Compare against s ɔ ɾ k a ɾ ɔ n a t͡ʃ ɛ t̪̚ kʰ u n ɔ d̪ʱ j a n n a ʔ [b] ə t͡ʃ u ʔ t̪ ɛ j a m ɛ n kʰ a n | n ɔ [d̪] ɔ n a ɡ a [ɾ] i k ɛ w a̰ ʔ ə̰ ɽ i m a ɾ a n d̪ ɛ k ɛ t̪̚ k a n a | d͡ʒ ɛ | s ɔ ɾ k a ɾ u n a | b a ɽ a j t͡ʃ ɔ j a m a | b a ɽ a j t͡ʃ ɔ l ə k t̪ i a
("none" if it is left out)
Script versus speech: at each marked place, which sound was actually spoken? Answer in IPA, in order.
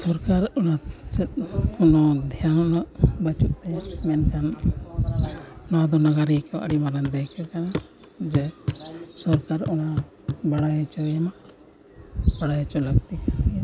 b, d̪, ɾ

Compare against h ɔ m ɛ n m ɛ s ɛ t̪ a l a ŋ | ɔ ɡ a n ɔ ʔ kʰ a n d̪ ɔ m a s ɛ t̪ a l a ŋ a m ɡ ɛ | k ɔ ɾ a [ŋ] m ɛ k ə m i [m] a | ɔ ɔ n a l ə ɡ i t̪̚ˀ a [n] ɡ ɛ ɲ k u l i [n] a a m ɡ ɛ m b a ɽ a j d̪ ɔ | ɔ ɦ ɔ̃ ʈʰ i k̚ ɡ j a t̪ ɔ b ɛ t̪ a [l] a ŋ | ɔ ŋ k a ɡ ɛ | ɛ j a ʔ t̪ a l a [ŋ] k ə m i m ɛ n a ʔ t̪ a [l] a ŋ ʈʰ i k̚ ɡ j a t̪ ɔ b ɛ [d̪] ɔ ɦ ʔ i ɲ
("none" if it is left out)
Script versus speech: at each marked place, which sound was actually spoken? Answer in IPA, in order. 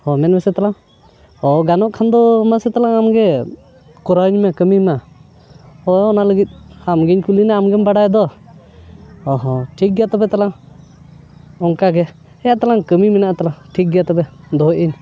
ɲ, m, m, n, l, ŋ, l, d̪

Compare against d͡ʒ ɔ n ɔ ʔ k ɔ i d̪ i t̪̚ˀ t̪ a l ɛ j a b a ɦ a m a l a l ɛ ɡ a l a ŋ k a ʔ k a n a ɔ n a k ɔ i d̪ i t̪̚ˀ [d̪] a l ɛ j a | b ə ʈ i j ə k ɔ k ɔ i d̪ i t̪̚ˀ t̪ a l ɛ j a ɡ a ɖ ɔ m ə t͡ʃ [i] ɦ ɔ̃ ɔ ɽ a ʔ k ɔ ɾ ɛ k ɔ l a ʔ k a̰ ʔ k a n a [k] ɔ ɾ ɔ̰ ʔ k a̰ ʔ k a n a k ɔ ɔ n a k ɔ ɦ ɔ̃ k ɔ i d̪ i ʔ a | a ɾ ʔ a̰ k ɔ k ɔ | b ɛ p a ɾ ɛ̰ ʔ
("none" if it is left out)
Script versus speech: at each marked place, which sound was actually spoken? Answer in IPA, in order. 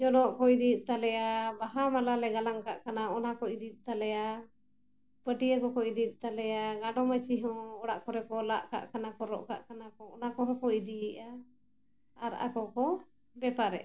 t̪, i, k

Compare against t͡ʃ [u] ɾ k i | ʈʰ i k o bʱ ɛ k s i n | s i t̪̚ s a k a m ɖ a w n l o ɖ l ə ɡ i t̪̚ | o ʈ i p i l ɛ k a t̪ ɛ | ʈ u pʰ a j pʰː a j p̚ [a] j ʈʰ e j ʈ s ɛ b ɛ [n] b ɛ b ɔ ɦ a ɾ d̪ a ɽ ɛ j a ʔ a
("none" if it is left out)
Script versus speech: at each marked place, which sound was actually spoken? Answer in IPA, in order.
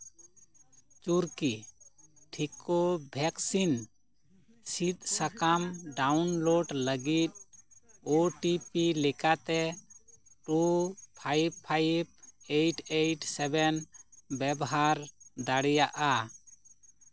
u, e, n

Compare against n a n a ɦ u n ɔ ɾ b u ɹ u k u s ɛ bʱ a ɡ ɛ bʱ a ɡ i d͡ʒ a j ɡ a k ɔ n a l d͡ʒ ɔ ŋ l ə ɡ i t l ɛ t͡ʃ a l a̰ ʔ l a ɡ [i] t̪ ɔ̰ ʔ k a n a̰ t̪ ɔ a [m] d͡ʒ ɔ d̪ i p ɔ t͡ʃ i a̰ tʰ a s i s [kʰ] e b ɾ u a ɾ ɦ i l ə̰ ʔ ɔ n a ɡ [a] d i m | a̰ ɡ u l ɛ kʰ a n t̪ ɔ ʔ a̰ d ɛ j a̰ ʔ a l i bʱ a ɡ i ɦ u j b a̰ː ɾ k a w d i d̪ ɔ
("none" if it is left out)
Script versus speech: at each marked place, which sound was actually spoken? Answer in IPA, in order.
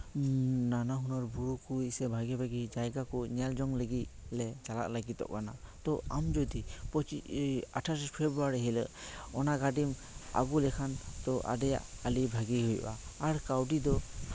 i, m, pʰ, a

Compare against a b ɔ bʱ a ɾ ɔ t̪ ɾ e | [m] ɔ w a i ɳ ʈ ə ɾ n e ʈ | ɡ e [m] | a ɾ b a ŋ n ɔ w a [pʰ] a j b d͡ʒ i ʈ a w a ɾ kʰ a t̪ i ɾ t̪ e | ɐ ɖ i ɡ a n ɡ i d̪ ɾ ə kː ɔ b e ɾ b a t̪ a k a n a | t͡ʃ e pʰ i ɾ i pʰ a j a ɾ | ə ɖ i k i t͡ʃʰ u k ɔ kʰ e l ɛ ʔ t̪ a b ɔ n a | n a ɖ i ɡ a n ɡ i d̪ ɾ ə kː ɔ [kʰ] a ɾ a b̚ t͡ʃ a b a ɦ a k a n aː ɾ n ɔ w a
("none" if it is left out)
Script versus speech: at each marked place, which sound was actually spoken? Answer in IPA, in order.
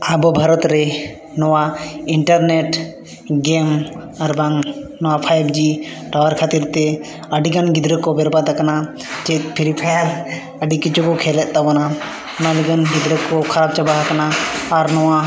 n, m, pʰ, kʰ

